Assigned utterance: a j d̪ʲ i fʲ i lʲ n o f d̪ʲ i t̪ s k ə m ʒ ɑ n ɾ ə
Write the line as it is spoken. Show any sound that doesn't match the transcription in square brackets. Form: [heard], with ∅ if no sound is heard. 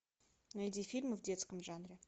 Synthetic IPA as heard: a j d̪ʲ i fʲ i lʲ [m] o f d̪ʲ [e] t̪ s k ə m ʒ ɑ n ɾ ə